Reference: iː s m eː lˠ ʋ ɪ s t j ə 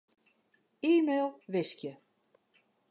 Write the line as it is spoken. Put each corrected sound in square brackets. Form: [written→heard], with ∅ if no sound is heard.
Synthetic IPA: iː [s→∅] m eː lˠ ʋ ɪ s [t→k] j ə